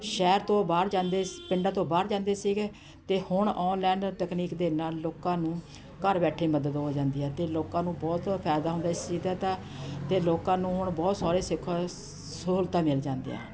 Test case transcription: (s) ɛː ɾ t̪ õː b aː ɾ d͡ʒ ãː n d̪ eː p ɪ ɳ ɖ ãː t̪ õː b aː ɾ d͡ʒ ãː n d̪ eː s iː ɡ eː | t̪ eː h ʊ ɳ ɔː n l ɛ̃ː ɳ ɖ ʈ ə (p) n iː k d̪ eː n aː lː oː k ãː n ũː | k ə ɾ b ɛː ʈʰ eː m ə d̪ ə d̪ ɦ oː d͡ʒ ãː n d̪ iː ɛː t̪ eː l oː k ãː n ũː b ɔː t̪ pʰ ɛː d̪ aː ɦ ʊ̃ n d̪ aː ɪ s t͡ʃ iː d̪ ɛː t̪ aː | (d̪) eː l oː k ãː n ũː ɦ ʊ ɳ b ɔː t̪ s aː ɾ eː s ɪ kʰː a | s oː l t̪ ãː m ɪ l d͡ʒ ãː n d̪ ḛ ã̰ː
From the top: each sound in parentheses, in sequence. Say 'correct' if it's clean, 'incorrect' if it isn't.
incorrect, incorrect, incorrect

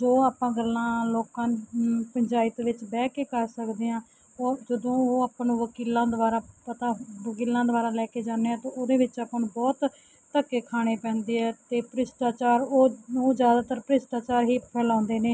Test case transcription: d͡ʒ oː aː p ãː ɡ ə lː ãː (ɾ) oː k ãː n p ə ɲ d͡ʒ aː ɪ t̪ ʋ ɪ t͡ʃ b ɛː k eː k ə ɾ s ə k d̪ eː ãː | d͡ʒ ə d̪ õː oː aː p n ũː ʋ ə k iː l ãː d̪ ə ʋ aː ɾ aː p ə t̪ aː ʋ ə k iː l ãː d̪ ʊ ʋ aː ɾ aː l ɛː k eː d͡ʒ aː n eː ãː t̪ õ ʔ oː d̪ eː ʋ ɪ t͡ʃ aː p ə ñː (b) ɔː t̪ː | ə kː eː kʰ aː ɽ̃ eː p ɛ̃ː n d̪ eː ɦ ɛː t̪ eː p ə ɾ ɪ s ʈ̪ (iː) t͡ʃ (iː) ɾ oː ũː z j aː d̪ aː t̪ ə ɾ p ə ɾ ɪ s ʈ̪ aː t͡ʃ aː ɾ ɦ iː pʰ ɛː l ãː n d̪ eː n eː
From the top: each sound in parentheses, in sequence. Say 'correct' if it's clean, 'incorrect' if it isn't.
incorrect, correct, incorrect, incorrect

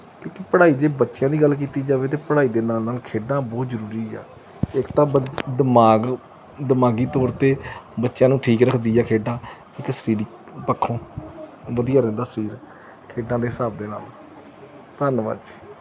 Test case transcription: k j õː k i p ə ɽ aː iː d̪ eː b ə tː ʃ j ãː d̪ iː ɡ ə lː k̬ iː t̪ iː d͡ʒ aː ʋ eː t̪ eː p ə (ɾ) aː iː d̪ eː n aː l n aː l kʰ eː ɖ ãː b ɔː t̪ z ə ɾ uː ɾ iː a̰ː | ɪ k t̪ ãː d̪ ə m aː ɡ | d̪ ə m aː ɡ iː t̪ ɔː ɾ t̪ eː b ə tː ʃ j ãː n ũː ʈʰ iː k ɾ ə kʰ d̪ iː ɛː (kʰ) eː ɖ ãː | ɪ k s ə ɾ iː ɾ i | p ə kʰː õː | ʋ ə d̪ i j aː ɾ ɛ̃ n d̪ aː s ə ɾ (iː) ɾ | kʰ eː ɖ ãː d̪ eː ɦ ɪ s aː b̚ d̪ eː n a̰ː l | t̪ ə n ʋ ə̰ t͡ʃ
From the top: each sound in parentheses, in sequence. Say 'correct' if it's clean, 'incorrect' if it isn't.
incorrect, correct, correct

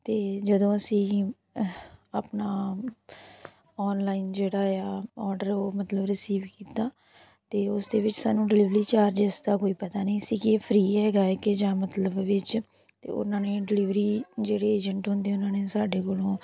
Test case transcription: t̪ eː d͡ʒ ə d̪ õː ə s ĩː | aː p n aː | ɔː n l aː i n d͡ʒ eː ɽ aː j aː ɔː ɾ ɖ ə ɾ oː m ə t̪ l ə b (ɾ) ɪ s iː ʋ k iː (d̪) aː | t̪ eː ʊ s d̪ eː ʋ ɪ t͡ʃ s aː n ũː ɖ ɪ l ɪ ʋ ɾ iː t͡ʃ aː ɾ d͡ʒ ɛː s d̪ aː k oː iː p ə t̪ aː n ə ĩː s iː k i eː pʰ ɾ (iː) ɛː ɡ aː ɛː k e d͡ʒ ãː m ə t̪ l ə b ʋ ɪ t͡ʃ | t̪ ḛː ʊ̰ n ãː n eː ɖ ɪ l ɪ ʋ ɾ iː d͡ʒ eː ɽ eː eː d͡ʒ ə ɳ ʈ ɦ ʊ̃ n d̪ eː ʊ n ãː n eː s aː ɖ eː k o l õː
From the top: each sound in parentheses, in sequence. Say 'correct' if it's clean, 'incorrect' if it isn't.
correct, incorrect, correct

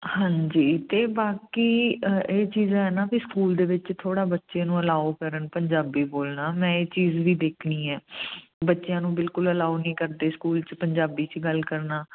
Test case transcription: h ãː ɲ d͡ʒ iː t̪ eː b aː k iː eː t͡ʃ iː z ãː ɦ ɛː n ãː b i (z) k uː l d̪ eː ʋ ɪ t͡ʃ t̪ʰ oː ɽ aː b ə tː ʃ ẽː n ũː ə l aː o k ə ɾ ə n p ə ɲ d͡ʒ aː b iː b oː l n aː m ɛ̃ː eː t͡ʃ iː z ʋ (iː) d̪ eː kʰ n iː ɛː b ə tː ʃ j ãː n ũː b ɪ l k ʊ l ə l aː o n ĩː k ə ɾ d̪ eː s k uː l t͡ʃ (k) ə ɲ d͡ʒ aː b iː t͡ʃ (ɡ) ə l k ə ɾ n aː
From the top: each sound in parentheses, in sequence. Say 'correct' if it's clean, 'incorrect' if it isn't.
incorrect, correct, incorrect, correct

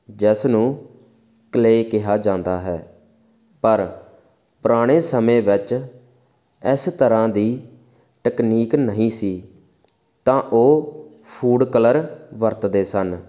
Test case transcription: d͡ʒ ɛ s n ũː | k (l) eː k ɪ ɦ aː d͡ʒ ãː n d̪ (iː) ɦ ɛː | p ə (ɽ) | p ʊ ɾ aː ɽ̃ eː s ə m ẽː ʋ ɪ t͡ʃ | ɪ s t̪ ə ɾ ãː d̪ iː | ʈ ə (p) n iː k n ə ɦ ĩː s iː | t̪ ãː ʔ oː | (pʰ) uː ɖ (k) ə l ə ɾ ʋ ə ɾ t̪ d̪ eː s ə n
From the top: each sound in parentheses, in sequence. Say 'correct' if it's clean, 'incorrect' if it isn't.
correct, incorrect, incorrect, incorrect, correct, correct

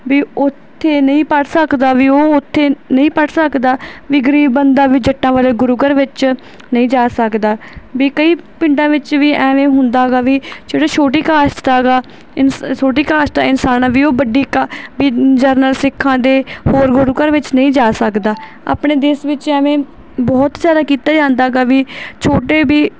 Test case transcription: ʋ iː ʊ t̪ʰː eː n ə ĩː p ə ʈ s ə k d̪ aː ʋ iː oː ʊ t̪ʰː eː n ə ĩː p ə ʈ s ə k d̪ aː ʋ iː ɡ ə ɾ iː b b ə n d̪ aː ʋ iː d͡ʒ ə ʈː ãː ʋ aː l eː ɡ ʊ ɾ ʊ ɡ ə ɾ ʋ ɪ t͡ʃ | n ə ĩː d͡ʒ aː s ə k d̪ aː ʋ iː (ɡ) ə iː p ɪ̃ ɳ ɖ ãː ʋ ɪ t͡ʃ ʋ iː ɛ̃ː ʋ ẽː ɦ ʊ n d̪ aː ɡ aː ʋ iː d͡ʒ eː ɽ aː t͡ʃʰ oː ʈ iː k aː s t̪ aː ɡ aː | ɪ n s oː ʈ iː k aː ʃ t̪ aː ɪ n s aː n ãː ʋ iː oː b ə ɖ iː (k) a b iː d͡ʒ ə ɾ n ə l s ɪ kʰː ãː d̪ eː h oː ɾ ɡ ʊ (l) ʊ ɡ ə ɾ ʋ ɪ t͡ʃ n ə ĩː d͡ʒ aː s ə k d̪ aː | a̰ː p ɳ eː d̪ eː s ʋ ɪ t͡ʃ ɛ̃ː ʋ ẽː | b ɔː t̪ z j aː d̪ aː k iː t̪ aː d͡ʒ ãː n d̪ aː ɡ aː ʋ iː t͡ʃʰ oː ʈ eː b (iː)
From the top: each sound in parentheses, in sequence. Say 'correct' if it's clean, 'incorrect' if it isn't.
incorrect, correct, incorrect, correct

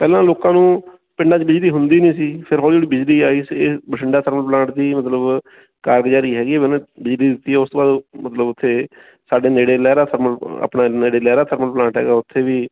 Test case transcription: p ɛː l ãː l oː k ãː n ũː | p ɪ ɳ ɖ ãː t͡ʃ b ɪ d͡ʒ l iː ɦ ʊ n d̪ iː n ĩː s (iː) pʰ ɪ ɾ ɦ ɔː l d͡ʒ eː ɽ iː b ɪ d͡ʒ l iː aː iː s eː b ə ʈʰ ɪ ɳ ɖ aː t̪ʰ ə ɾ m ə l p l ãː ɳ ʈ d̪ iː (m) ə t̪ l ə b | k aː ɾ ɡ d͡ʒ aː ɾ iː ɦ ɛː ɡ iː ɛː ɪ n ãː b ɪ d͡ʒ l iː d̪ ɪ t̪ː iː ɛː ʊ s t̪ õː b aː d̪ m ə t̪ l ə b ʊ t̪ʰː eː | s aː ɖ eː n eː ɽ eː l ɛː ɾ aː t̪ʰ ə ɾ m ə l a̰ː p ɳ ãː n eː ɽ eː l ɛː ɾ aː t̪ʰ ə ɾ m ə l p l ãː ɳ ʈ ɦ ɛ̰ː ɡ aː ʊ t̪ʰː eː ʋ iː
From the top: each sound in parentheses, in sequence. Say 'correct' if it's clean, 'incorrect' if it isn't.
correct, correct

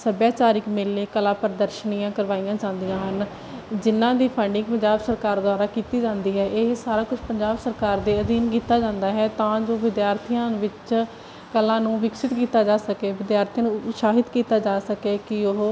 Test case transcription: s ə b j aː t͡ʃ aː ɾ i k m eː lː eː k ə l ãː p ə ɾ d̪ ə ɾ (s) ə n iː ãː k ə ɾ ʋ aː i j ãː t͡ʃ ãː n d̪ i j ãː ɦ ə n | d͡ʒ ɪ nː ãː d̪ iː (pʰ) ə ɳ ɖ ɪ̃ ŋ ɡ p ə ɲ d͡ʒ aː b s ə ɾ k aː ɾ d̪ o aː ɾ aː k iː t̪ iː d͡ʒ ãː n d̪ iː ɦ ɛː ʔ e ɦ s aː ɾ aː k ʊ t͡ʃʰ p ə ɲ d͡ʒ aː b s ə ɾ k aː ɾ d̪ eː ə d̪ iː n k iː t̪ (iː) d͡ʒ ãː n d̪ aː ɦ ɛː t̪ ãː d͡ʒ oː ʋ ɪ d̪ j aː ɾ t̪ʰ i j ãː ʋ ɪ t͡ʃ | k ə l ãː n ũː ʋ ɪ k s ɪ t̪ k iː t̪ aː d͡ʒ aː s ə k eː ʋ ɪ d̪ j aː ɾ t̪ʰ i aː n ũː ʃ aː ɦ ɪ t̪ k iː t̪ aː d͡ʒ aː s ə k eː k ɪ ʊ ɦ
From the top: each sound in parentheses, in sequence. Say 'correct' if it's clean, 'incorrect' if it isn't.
incorrect, correct, incorrect

